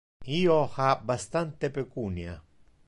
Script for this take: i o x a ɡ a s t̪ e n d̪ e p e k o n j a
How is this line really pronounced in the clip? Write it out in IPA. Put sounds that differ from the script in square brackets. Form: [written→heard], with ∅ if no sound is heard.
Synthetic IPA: i o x a [ɡ→b] a s t̪ [e→a] n [d̪→t̪] e p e k [o→u] n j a